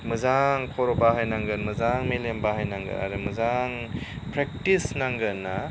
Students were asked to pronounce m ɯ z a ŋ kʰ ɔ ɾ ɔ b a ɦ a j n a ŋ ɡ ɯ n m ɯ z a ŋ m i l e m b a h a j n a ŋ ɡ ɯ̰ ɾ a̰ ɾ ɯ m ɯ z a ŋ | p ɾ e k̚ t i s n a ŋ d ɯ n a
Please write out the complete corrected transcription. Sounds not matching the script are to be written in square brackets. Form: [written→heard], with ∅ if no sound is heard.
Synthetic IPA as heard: m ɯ z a ŋ kʰ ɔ ɾ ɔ b a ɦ a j n a ŋ ɡ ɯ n m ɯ z a ŋ m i l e m b a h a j n a ŋ ɡ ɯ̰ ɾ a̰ ɾ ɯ m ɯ z a ŋ | p ɾ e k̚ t i s n a ŋ [d→ɡ] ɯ n a